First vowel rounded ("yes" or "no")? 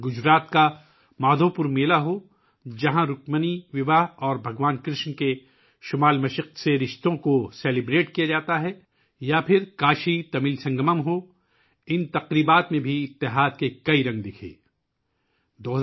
yes